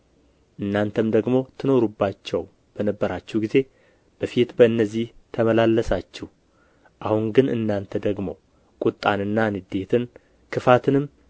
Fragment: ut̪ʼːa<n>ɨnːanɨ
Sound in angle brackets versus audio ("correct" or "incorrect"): correct